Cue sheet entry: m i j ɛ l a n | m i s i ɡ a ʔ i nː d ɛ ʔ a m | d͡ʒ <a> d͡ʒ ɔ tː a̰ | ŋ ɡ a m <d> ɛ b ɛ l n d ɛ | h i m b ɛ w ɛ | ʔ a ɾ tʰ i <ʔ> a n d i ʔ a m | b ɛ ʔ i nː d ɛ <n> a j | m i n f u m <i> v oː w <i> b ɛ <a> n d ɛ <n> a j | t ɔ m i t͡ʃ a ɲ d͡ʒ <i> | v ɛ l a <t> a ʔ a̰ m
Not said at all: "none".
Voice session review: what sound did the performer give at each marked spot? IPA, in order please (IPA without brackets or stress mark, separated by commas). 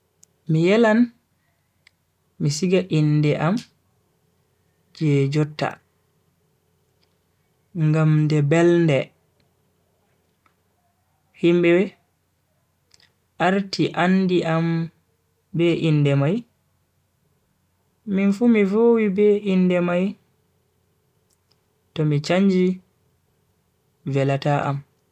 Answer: ɛ, d, ʔ, m, i, i, i, m, i, t